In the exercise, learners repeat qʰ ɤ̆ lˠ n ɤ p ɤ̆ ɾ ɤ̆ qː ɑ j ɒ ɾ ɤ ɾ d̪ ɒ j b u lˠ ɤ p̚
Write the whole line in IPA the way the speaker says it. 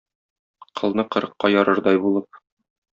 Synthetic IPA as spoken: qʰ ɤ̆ lˠ n ɤ q ɤ̆ ɾ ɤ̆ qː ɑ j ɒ ɾ ɤ ɾ d̪ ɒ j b u lˠ ɤ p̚